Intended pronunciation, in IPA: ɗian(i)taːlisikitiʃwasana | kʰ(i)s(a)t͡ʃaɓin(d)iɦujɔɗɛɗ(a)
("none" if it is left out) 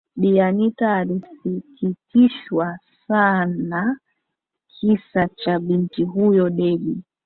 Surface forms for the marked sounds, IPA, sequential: i, i, a, t, i

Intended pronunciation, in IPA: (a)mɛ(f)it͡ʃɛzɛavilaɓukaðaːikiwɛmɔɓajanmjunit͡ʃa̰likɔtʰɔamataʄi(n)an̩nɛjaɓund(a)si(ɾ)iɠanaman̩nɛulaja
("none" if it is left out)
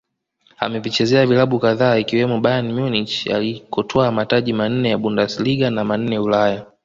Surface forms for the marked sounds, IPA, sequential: a, v, m, a, l

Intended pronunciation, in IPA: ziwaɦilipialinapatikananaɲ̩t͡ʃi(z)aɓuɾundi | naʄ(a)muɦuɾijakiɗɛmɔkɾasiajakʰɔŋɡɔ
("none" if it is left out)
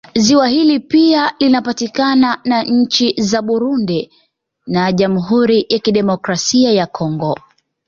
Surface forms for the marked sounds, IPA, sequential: z, a

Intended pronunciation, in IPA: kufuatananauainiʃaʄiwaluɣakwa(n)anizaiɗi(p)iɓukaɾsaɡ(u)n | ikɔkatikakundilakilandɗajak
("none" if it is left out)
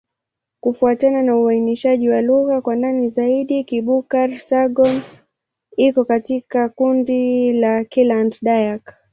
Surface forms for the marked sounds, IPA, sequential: n, k, ɔ

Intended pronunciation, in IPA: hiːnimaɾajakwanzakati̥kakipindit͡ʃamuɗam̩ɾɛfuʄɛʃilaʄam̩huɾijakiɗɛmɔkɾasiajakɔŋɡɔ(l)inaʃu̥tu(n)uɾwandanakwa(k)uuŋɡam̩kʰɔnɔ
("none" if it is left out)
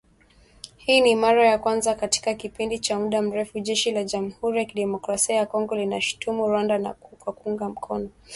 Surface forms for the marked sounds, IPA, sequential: l, m, k

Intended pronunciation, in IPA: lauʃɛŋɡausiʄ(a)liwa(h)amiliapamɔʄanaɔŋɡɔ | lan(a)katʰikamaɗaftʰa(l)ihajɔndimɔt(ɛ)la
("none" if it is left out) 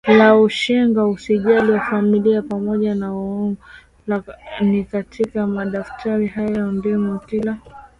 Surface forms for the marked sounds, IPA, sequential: a, f, i, ɾ, i

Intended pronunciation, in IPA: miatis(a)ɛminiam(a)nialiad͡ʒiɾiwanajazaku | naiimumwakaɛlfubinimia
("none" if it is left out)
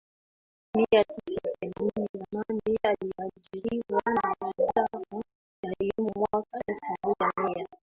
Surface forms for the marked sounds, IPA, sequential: a, a

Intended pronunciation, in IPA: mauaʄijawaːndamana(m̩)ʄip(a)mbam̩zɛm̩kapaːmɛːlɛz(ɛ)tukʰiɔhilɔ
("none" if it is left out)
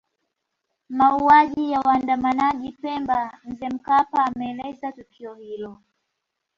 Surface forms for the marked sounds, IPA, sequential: none, ɛ, a

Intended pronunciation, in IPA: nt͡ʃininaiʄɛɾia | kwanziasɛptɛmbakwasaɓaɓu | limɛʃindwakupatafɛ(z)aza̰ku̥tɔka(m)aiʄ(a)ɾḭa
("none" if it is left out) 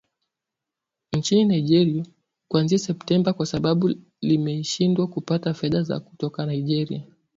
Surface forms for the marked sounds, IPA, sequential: ð, n, ɛ

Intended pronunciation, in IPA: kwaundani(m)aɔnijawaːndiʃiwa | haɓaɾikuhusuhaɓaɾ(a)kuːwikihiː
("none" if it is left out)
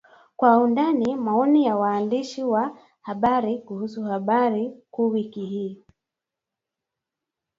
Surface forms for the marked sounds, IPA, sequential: m, i

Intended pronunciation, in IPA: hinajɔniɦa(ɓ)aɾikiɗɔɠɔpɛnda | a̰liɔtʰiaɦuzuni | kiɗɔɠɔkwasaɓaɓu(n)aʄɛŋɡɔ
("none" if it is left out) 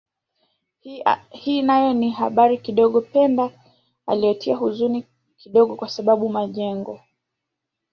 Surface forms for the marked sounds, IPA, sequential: ɓ, m

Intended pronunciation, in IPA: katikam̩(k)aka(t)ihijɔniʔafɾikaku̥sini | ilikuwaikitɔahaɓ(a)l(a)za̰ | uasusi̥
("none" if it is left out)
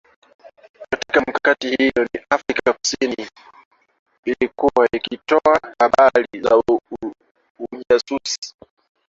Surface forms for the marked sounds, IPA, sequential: k, t, a, i

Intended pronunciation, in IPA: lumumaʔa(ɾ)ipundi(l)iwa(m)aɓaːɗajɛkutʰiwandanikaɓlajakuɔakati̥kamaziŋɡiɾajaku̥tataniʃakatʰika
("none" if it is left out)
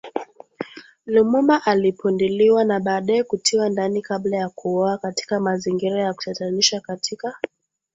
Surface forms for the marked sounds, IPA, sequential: l, l, n

